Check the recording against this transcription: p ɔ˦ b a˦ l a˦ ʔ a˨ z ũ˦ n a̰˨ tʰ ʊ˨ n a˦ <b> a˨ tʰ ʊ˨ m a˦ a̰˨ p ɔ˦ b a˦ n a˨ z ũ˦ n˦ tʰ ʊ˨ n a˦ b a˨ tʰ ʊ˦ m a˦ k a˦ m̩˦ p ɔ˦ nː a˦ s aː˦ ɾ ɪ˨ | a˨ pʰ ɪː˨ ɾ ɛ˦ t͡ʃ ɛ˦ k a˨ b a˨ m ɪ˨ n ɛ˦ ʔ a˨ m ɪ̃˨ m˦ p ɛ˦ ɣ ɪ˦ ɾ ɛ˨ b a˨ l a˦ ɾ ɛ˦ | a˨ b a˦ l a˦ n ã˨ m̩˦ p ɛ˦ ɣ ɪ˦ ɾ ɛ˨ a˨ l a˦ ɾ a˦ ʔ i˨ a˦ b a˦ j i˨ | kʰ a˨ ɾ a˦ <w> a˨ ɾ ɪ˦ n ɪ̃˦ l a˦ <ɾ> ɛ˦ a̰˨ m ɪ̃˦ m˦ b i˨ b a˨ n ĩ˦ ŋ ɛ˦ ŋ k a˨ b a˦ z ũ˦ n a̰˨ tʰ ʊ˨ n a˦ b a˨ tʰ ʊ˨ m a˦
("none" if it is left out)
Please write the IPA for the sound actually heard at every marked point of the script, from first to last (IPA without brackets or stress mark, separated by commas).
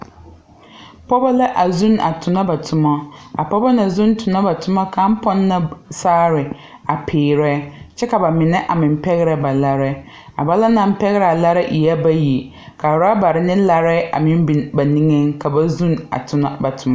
b, b, ɾ